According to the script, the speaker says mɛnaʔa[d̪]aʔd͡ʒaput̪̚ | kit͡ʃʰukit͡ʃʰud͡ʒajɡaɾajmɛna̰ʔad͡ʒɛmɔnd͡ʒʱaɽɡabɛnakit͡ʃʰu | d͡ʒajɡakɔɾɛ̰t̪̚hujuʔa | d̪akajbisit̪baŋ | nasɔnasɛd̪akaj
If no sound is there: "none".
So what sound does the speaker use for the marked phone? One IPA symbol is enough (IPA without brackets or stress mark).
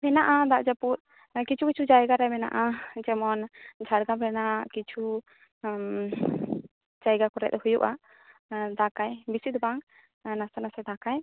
d̪